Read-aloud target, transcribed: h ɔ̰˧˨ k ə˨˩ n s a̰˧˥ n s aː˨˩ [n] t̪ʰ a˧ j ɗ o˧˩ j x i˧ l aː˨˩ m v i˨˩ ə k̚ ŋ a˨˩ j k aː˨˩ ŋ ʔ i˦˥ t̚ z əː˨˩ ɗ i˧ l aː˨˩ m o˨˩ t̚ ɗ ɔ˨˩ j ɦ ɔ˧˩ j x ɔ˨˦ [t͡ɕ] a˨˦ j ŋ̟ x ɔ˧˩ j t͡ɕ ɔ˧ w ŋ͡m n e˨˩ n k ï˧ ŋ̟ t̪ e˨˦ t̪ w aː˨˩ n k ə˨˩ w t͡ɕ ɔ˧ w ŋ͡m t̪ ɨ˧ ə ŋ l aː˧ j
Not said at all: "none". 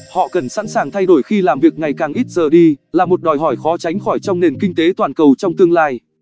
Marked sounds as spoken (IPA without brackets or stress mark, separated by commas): ŋ, t͡ɕ